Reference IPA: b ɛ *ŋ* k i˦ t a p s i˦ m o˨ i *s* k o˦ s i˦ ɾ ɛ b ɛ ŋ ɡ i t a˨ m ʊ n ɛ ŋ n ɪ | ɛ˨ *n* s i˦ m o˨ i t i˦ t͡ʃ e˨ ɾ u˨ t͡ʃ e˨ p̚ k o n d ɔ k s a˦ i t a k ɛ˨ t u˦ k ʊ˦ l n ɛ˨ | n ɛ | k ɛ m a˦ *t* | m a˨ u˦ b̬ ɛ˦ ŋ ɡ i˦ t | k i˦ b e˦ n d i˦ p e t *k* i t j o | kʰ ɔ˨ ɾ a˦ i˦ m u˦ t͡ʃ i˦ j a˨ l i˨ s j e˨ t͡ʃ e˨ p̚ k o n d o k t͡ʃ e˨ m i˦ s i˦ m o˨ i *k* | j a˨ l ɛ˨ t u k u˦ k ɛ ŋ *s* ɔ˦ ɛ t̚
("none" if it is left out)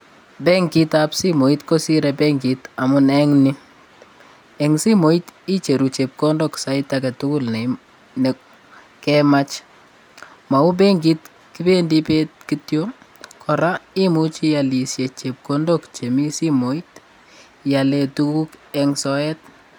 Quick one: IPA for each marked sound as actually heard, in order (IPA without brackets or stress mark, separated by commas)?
ŋ, t, ŋ, t͡ʃ, k, t, s